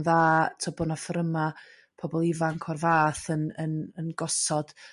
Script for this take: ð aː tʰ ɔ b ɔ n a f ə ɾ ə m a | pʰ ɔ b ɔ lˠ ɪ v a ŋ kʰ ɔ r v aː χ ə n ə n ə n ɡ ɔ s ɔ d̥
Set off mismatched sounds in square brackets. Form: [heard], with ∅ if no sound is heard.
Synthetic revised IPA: ð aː tʰ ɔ b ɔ n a f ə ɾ ə m a | pʰ ɔ b ɔ lˠ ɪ v a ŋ kʰ ɔ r v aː [θ] ə n ə n ə n ɡ ɔ s ɔ d̥